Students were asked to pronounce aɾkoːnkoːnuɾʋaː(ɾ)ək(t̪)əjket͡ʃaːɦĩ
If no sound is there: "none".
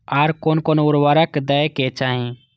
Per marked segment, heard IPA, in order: ɾ, d̪

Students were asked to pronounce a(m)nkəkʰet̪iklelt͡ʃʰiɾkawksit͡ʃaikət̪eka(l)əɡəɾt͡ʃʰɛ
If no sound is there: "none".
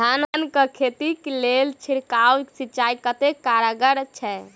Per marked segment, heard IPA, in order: n, ɾ

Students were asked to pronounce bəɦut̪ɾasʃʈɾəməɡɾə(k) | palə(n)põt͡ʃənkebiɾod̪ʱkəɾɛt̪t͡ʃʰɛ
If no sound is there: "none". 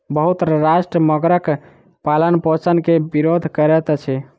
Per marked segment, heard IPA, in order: k, n

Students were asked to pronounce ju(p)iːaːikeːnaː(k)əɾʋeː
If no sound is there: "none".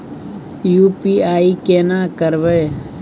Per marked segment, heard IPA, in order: p, k

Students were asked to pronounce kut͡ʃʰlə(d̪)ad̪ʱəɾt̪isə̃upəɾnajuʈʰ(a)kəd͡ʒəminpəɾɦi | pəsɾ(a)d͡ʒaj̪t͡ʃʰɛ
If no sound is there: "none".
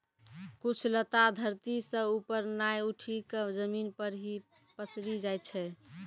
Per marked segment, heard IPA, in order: t̪, i, i

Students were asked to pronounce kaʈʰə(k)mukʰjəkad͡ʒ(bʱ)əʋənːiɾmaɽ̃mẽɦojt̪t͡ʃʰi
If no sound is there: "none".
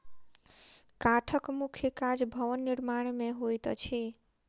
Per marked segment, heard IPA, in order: k, bʱ

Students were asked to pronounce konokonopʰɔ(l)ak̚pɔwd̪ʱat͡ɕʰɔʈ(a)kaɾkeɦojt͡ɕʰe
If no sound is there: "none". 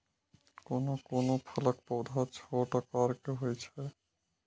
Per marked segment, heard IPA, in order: l, a

